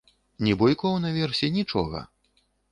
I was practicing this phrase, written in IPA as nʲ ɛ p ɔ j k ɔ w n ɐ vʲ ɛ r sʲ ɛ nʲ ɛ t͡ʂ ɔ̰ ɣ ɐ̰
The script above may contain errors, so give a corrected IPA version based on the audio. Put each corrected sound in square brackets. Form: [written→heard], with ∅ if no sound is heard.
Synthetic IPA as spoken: nʲ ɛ [p→b] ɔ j k ɔ w n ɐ vʲ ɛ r sʲ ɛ nʲ [ɛ→i] t͡ʂ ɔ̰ ɣ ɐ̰